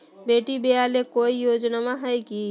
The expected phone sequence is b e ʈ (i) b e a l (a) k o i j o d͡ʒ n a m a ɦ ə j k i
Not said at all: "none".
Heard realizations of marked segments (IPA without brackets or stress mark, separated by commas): i, e